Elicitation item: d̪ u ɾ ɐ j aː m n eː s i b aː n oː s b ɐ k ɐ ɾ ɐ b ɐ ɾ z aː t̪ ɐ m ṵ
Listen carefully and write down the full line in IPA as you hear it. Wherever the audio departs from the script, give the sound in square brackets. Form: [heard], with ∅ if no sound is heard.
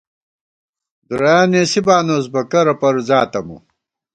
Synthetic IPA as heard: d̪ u ɾ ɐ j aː [∅] n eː s i b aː n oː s b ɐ k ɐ ɾ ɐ [p] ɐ ɾ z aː t̪ ɐ m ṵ